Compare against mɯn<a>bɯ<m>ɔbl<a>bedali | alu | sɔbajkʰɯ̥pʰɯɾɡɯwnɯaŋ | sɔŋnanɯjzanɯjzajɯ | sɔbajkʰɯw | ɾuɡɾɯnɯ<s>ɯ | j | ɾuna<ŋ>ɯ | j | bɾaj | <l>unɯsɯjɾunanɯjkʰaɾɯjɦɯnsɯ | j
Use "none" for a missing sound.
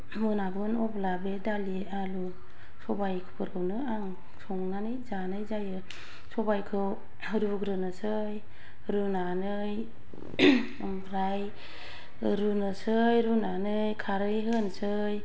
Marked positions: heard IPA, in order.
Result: a, n, a, s, n, ɾ

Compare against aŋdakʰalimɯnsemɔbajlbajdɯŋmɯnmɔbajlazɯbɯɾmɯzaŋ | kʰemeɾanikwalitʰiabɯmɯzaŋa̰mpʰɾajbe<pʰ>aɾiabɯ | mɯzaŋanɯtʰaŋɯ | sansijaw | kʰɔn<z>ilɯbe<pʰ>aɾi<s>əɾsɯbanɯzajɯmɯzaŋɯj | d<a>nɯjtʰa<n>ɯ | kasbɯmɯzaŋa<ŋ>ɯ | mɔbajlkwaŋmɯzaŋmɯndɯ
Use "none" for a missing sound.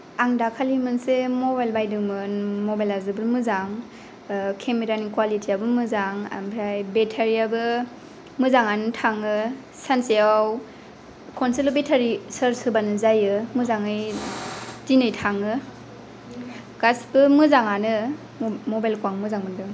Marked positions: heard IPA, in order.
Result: tʰ, s, tʰ, s, i, ŋ, n

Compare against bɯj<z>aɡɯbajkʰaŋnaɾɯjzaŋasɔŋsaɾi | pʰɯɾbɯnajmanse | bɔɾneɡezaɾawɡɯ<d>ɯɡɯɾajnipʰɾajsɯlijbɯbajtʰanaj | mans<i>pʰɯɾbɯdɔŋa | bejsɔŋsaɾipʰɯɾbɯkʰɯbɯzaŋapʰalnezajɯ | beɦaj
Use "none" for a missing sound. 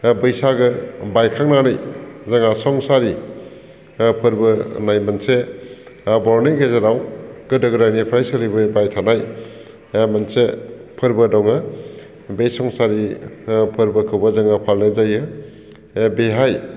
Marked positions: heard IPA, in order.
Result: s, d, e

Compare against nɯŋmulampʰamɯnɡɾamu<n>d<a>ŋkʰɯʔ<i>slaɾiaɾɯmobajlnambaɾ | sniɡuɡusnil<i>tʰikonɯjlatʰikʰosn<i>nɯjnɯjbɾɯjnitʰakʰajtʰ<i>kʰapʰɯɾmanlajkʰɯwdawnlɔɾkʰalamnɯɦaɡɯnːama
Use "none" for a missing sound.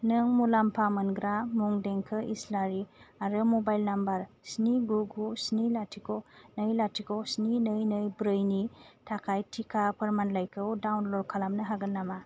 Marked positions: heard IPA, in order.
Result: ŋ, e, i, a, i, i

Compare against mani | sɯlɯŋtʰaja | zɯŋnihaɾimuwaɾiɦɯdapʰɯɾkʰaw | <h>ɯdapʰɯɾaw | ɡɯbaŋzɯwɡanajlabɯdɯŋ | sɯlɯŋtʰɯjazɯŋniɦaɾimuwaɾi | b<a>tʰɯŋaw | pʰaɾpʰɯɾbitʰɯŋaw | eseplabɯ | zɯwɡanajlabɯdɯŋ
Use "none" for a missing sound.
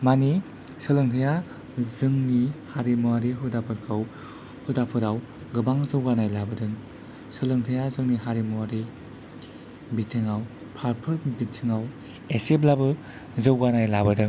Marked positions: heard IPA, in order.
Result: h, i

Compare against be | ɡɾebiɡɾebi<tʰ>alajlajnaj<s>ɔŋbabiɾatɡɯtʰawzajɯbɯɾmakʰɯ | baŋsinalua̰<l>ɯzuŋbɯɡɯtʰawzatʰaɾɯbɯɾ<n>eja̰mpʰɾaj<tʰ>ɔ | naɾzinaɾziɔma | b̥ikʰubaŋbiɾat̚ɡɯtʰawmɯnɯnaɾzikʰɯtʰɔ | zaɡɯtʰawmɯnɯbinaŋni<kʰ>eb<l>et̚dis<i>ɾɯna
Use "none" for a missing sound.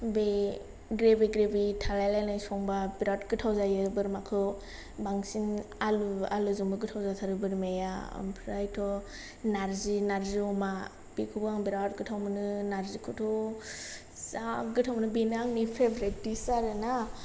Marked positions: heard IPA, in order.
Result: tʰ, s, l, m, tʰ, pʰ, ɾ, a

